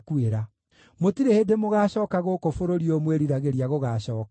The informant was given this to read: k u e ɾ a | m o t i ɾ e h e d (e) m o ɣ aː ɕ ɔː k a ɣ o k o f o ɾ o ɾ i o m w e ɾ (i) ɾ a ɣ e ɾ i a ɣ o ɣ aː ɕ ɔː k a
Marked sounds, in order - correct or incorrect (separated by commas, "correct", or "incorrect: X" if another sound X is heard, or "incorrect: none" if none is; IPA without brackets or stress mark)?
correct, correct